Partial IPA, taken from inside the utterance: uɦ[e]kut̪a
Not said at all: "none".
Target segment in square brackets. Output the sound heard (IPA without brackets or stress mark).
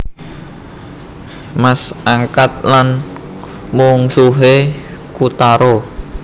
e